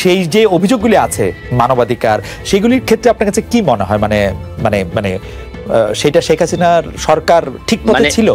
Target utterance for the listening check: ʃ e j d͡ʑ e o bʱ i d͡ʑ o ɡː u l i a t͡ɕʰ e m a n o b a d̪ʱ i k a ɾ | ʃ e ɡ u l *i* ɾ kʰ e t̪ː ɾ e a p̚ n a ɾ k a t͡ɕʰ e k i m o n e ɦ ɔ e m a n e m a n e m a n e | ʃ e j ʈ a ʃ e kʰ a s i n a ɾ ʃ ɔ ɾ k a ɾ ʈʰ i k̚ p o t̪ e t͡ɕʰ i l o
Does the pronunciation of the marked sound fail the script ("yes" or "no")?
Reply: no